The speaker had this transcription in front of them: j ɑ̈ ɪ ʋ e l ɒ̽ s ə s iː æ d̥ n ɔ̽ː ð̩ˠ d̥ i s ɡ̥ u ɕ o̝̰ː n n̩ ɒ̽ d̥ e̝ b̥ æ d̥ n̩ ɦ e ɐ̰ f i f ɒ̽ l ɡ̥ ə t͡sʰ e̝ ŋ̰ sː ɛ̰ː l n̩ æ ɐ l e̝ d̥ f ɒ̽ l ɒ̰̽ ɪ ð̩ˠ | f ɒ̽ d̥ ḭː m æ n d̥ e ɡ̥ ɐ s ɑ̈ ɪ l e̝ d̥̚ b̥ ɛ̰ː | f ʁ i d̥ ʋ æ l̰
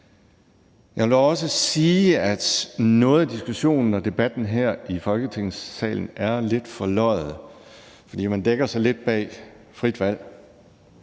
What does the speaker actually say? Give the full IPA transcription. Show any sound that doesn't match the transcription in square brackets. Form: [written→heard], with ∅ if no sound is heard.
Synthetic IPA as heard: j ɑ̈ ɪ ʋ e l ɒ̽ s ə s iː æ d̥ n ɔ̽ː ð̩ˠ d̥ i s ɡ̥ u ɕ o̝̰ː n n̩ ɒ̽ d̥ e̝ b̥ æ d̥ n̩ ɦ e ɐ̰ [f→∅] i f ɒ̽ l ɡ̥ ə t͡sʰ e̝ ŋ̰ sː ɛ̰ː l n̩ æ ɐ l e̝ d̥ f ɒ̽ l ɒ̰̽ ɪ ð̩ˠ | f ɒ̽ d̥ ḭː m æ n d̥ e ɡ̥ ɐ s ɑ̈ ɪ l e̝ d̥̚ b̥ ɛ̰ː | f ʁ i d̥ ʋ æ l̰

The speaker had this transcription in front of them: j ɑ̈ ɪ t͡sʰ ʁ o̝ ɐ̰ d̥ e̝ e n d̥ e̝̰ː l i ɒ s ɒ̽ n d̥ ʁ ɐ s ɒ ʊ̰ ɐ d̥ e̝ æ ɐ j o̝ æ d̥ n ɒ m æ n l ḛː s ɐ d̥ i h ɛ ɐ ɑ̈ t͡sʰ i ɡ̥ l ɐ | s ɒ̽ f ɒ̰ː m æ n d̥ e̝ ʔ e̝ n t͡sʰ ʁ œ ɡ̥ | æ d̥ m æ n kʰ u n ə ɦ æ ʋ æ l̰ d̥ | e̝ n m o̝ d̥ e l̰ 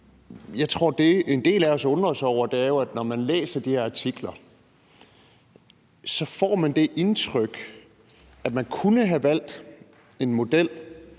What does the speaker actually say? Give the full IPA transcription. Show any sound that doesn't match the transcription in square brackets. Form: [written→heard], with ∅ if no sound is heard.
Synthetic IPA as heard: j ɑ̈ ɪ t͡sʰ ʁ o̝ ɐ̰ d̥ e̝ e n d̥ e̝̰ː l [i→æ] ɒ s [ɒ̽→ɔ̽] n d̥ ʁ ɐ s ɒ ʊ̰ ɐ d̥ e̝ æ ɐ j o̝ æ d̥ n ɒ m æ n l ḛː s ɐ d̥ i h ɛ ɐ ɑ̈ t͡sʰ i ɡ̥ l ɐ | s ɒ̽ f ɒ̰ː m æ n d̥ e̝ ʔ e̝ n t͡sʰ ʁ œ ɡ̥ | æ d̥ m æ n kʰ u n ə ɦ æ ʋ æ l̰ d̥ | e̝ n m o̝ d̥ e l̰

